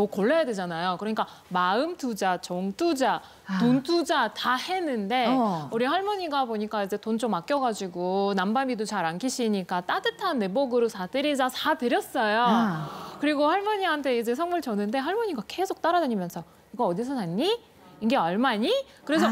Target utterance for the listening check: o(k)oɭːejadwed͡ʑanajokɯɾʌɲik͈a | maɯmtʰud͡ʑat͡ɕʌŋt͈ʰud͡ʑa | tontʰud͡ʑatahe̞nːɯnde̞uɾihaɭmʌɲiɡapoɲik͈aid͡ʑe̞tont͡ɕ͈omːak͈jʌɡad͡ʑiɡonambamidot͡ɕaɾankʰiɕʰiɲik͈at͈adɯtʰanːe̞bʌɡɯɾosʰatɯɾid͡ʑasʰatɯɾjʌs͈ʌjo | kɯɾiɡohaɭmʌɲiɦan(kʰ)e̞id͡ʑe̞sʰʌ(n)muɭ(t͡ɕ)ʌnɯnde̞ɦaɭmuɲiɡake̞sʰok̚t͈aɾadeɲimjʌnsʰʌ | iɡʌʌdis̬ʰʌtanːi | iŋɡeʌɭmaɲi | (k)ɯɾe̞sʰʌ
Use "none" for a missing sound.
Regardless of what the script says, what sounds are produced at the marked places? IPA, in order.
k, tʰ, ŋ, t͡ɕ, k

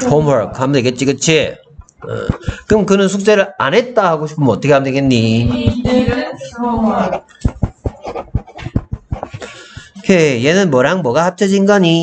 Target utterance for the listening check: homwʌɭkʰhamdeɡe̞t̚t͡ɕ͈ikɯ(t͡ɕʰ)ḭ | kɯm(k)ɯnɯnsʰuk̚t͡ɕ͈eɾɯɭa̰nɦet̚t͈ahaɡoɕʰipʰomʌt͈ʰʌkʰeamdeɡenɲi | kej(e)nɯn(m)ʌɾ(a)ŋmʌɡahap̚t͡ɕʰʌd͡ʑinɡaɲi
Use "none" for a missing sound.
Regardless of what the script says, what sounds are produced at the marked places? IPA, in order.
t͡ɕʰ, k, e, m, a

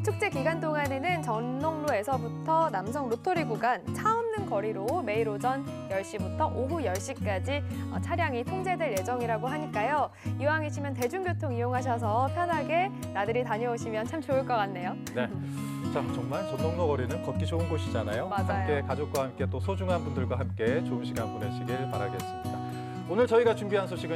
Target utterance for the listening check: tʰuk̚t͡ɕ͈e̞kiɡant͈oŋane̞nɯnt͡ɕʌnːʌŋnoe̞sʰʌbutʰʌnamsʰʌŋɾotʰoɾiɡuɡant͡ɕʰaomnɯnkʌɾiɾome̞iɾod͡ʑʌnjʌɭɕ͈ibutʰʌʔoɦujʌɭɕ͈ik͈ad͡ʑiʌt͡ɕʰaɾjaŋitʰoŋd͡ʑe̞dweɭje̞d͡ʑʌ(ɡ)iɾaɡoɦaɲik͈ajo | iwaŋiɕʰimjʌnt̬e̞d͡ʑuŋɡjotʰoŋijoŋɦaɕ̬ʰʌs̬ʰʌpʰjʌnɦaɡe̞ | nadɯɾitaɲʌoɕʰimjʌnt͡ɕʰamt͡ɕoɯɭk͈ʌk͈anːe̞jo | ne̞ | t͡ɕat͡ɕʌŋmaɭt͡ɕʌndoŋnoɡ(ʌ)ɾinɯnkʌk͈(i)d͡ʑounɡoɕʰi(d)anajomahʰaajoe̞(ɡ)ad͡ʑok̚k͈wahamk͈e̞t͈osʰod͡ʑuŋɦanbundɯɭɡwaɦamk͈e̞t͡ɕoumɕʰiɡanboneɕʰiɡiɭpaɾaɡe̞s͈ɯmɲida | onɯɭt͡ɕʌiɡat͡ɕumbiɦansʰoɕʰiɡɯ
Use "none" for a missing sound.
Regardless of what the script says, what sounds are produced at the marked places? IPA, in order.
ŋ, ʌ, i, d͡ʑ, k

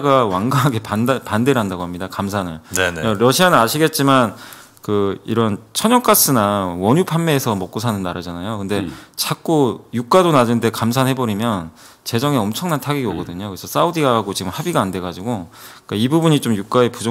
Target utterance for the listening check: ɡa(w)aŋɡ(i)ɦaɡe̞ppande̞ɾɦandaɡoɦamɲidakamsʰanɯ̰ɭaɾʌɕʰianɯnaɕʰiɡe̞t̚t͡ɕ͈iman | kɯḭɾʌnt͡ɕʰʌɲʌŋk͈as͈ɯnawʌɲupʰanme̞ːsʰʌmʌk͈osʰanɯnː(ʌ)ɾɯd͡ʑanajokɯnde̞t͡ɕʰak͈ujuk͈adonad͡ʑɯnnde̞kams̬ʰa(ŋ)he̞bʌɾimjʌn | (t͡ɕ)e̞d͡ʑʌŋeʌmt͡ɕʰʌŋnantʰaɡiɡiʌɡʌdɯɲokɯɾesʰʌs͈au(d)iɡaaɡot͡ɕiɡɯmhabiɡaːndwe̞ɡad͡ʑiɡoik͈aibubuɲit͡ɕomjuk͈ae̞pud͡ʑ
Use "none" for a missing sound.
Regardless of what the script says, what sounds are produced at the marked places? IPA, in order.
w, a, a, n, t͡ɕ, d

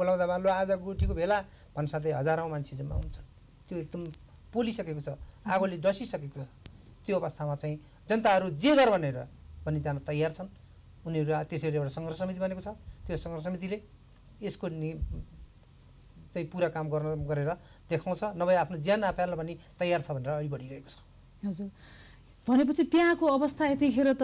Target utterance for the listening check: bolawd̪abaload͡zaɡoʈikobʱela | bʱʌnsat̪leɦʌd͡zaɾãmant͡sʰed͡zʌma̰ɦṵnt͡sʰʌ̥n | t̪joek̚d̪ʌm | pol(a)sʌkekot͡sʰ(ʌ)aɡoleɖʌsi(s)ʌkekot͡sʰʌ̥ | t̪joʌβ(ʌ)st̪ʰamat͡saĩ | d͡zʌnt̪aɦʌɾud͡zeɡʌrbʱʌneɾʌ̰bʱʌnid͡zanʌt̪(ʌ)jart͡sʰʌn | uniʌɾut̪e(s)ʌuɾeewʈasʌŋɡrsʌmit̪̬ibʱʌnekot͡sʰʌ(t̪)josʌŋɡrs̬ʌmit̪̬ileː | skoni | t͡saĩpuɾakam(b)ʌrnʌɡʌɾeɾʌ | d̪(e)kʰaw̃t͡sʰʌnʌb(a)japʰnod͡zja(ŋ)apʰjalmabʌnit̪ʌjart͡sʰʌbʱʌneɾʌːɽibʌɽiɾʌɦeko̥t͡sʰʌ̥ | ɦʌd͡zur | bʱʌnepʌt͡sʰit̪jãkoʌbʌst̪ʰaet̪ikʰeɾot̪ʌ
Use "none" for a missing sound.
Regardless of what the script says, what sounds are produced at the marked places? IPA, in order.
i, ʌ, s, ʌ, ʌ, s, t̪, ɡ, e, ʌ, n

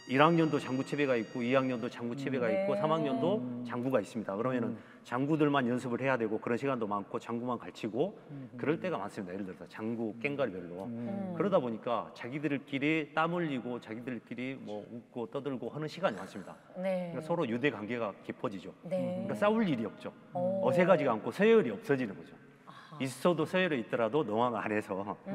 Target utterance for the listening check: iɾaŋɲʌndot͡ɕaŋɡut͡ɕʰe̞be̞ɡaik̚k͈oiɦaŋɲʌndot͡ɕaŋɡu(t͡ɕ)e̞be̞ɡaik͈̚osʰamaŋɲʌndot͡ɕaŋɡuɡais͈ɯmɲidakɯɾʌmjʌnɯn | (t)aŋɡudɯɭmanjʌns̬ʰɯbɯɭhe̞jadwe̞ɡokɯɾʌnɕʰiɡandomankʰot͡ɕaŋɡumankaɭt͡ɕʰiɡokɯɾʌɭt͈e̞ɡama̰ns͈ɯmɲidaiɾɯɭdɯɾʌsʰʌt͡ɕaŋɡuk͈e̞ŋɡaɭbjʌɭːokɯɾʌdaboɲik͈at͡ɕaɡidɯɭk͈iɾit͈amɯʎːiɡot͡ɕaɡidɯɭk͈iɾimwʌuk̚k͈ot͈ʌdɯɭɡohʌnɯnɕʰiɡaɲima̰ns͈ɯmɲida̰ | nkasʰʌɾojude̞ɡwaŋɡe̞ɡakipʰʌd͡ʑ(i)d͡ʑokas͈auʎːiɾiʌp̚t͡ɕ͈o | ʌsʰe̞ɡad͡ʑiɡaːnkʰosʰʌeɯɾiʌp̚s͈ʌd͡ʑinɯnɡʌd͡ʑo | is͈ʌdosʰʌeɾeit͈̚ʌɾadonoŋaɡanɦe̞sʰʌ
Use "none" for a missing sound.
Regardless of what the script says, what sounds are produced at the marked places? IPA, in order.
t͡ɕʰ, t͡ɕ, i

